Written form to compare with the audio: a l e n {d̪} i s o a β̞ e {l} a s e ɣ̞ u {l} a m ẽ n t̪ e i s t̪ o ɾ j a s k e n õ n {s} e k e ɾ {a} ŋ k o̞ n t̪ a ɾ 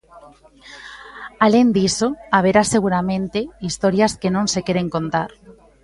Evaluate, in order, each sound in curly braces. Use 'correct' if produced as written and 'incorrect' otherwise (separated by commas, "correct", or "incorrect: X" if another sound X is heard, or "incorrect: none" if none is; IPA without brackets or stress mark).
correct, incorrect: ɾ, incorrect: ɾ, correct, incorrect: e